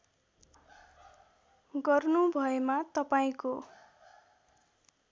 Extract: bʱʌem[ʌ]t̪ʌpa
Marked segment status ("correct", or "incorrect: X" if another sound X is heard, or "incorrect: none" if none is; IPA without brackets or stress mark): incorrect: a